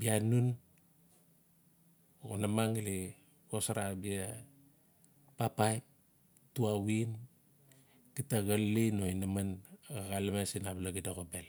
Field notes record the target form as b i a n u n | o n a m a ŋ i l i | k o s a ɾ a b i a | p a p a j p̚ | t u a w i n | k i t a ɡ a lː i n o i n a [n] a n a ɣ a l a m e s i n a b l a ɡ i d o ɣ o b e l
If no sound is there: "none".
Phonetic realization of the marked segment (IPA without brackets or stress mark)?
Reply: m